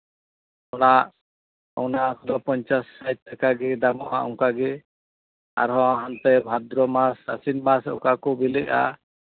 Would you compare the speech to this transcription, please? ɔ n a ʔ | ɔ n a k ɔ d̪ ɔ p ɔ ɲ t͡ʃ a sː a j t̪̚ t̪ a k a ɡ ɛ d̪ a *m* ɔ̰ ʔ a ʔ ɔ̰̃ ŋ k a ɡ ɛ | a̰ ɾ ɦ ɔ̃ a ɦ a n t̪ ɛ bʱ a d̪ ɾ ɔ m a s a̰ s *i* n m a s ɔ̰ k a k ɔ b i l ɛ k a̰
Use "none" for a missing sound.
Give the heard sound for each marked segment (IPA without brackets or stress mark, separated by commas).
m, i